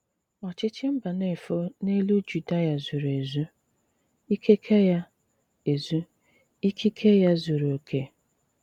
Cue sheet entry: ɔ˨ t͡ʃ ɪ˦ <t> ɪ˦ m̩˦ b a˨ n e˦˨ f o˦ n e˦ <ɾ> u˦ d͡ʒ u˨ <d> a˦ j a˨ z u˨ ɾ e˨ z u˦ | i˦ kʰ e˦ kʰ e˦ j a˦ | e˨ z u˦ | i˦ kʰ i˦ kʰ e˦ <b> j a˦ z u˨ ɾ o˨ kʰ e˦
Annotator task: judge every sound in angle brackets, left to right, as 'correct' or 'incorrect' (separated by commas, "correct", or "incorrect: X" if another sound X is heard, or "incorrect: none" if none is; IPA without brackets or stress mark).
incorrect: t͡ʃ, incorrect: l, correct, incorrect: none